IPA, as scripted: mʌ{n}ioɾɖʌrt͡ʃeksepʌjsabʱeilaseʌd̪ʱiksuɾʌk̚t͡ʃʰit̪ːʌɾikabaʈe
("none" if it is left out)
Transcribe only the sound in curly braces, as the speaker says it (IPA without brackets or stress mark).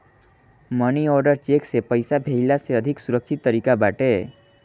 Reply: n